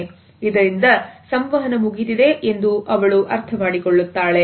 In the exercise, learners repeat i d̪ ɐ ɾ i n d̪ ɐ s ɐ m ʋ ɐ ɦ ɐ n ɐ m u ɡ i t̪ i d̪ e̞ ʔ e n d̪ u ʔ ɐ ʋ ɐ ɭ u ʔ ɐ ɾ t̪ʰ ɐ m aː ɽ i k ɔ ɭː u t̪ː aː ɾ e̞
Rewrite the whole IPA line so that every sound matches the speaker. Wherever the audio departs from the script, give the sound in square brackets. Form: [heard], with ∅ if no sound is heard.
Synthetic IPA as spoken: i d̪ ɐ ɾ i n d̪ ɐ s ɐ m ʋ ɐ ɦ ɐ n ɐ m u ɡ i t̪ i d̪ e̞ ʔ e n d̪ u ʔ ɐ ʋ ɐ ɭ u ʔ ɐ ɾ t̪ʰ ɐ m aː ɽ i k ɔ ɭː u t̪ː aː [ɭ] e̞